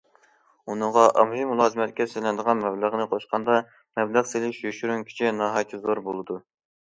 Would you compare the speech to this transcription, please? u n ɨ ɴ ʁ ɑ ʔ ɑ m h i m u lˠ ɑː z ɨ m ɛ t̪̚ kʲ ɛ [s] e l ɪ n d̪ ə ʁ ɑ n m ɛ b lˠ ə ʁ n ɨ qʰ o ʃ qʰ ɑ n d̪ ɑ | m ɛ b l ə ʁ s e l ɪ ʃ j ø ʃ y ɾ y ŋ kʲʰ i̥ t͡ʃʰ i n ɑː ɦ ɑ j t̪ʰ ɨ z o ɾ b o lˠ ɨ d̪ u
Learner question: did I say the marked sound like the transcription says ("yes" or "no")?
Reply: yes